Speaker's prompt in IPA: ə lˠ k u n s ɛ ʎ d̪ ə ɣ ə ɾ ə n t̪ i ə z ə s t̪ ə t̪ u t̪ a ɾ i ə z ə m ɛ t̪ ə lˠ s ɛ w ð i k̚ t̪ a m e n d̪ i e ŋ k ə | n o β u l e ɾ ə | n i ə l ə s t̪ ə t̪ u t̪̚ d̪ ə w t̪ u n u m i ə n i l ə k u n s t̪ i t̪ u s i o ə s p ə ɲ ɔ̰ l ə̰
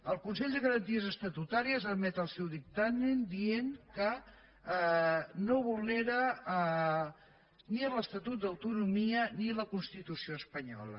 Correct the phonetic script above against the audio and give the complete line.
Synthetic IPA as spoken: ə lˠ k u n s ɛ ʎ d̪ ə ɣ ə ɾ ə n t̪ i ə z ə s t̪ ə t̪ u t̪ a ɾ i ə z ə m ɛ t̪ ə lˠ s ɛ w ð i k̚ t̪ a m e n d̪ i e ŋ k ə | n o β u l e ɾ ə | n i ə l ə s t̪ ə t̪ u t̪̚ d̪ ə w t̪ u n u m i ə n i l ə k u n s t̪ i t̪ u s i o ə s p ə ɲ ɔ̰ l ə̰

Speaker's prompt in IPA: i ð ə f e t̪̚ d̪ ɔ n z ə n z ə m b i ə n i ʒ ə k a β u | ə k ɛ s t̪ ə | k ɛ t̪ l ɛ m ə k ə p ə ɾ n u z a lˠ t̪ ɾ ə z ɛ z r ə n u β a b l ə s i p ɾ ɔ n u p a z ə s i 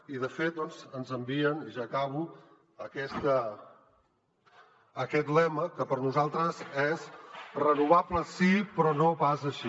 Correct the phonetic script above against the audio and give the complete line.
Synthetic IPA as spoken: i ð ə f e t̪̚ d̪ ɔ n z ə n z ə m b i ə n i ʒ a k a β u | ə k ɛ s t̪ ə | k ɛ t̪ l ɛ m ə k ə p ə ɾ n u z a lˠ t̪ ɾ ə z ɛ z r ə n u β a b l ə s i p ɾ ɔ n o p a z ə ʃ i

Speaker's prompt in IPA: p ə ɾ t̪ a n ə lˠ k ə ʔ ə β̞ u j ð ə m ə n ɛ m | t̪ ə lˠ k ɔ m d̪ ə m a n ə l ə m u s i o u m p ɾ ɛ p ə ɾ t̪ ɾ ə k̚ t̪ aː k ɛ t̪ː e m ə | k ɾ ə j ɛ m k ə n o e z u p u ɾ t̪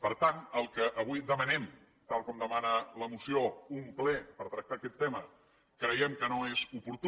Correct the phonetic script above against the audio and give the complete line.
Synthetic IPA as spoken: p ə ɾ t̪ a n ə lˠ k ə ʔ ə β̞ u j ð ə m ə n ɛ m | t̪ a lˠ k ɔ m d̪ ə m a n ə l ə m u s i o u m p l ɛ p ə ɾ t̪ ɾ ə k̚ t̪ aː k ɛ t̪ː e m ə | k ɾ ə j ɛ m k ə n o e z u p u ɾ t̪

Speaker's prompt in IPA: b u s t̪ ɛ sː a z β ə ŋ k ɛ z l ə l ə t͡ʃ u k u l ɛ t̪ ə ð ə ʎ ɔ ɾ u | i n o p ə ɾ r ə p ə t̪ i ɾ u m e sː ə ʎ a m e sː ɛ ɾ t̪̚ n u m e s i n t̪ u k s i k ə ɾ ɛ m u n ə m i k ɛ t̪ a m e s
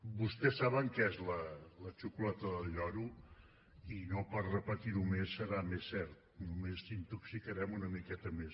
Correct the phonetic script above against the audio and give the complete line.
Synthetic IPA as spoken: b u s t̪ ɛ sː a β ə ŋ k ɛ z l ə l ə t͡ʃ u k u l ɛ t̪ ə ð ə ʎ ɔ ɾ u | i n o p ə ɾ r ə p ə t̪ i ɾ u m e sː ə ɾ a m e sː ɛ ɾ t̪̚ n u m e s i n t̪ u k s i k ə ɾ ɛ m u n ə m i k ɛ t̪ ə m e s

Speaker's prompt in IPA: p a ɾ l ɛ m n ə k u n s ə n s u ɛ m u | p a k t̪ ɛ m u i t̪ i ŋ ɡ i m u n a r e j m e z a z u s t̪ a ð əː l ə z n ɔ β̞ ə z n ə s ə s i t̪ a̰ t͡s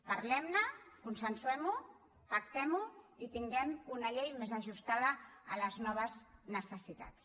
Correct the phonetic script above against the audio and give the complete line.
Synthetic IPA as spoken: p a ɾ l ɛ m n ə k u n s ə n s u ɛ m u | p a k t̪ ɛ m u i t̪ i ŋ ɡ ɛ m u n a ʎ e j m e z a ʒ u s t̪ a ð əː l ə z n ɔ β̞ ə z n ə s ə s i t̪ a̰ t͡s

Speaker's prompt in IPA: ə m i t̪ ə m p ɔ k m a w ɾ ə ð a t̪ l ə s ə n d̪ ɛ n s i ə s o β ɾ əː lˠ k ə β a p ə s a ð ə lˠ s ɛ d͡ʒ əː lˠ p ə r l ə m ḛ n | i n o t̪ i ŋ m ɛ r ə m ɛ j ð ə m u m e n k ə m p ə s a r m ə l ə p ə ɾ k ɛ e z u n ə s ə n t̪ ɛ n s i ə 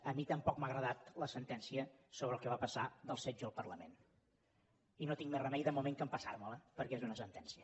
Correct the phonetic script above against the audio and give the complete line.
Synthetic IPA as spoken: ə m i t̪ ə m p ɔ k m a ɣ ɾ ə ð a t̪ l ə s ə n t̪ ɛ n s i ə s o β ɾ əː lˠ k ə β a p ə s a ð ə lˠ s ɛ d͡ʒ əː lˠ p ə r l ə m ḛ n | i n o t̪ i ŋ m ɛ r ə m ɛ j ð ə m u m e ŋ k ə m p ə s a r m ə l ə p ə ɾ k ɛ e z u n ə s ə n t̪ ɛ n s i ə

